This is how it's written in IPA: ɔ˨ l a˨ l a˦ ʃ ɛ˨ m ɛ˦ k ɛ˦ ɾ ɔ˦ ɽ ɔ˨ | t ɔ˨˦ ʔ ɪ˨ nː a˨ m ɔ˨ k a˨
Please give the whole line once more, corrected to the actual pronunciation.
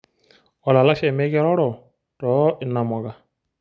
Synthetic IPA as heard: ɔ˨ l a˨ l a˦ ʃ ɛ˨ m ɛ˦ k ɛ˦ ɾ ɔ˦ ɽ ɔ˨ | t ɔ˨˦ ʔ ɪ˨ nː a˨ m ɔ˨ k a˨